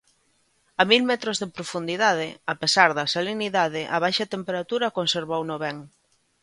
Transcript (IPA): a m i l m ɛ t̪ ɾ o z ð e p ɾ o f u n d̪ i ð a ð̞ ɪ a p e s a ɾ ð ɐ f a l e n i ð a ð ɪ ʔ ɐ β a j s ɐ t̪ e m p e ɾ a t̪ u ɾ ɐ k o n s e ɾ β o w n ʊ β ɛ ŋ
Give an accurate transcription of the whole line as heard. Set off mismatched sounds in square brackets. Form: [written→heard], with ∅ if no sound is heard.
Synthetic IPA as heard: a m i l m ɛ t̪ ɾ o z ð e p ɾ o f u n d̪ i ð a ð̞ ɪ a p e s a ɾ ð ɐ [f→s] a l e n i ð a ð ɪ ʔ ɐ β a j [s→ʃ] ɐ t̪ e m p e ɾ a t̪ u ɾ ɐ k o n s e ɾ β o w n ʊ β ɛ ŋ